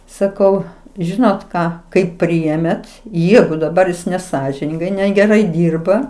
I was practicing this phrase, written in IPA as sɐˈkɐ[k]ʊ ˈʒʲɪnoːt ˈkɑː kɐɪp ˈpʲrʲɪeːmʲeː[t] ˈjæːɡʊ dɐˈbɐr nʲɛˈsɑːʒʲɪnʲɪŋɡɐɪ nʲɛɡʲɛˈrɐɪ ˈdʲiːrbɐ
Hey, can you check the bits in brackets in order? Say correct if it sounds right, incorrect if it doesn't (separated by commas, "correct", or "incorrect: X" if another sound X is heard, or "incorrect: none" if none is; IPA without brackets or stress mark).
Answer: incorrect: none, correct